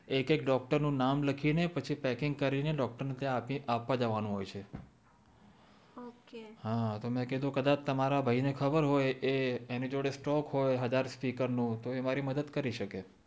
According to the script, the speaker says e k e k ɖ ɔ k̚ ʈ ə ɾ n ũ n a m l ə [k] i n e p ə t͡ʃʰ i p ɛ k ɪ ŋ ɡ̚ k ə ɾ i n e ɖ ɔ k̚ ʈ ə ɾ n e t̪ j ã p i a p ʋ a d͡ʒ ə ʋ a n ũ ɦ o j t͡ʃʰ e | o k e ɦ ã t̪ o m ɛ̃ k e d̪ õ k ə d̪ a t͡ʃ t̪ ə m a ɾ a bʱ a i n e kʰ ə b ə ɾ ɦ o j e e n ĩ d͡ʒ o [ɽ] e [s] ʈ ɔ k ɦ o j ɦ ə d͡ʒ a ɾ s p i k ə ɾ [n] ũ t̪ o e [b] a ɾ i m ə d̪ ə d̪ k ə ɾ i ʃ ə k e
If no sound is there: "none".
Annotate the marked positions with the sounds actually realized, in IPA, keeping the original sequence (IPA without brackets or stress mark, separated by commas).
kʰ, ɽ, s, n, m